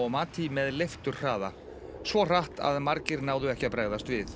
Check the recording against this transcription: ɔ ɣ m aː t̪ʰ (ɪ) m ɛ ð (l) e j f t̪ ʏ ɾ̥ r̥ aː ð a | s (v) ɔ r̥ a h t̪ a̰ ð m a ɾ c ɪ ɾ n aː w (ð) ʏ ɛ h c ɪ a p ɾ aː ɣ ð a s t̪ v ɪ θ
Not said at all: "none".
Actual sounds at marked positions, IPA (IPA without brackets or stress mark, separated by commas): i, l, v, ð